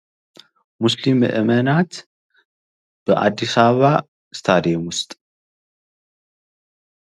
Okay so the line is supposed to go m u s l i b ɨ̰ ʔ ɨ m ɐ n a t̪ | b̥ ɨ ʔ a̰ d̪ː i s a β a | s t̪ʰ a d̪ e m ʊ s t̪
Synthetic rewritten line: m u s l i m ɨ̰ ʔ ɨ m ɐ n a t̪ | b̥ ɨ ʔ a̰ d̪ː i s a β a | s t̪ʰ a d̪ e m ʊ s t̪ʼ